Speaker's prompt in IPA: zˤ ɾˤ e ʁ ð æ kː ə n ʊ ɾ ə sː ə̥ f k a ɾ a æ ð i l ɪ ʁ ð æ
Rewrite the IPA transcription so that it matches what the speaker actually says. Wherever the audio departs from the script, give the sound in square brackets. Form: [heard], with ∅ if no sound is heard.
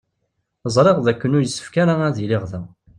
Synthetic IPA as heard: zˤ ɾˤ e ʁ ð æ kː ə n ʊ ɾ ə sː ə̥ f k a ɾ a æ ð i l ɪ ʁ ð æ